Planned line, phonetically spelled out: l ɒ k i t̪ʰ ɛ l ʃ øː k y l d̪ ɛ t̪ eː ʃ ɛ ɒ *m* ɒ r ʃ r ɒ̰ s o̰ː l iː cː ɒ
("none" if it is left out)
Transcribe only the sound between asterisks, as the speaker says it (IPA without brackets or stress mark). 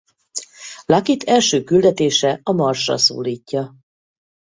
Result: m